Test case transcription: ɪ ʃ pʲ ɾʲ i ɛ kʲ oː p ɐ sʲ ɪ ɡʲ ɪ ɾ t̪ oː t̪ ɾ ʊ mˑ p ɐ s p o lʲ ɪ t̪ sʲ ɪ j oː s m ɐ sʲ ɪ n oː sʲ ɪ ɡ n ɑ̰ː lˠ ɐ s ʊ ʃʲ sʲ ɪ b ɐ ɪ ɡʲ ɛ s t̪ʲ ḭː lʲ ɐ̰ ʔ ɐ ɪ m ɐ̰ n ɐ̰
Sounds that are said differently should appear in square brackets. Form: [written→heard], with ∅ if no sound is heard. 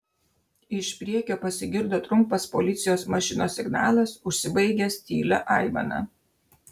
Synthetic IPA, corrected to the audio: ɪ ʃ pʲ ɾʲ i ɛ kʲ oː p ɐ sʲ ɪ ɡʲ ɪ ɾ [t̪→d̪] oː t̪ ɾ ʊ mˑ p ɐ s p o lʲ ɪ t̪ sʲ ɪ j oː s m ɐ [sʲ→ʃʲ] ɪ n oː sʲ ɪ ɡ n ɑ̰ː lˠ ɐ s ʊ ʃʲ sʲ ɪ b ɐ ɪ ɡʲ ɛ s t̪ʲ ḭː lʲ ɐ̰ ʔ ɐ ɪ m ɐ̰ n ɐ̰